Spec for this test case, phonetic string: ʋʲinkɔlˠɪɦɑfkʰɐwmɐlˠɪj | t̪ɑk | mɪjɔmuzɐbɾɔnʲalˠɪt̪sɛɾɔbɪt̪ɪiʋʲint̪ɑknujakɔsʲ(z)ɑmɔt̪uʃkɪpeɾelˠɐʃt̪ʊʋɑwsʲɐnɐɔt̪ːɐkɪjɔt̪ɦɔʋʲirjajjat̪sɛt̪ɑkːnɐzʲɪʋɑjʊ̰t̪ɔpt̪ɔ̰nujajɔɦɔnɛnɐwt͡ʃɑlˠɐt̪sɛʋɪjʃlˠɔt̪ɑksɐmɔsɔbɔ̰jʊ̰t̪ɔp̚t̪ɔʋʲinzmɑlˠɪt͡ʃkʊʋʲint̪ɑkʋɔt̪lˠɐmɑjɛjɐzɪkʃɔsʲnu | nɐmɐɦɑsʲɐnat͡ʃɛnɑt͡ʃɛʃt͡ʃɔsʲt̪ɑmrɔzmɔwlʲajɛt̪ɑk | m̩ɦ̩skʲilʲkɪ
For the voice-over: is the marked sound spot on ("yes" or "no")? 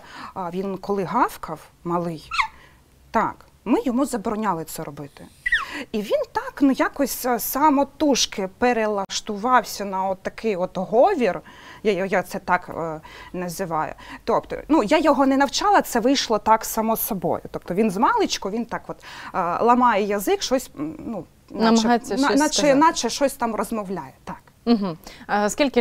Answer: no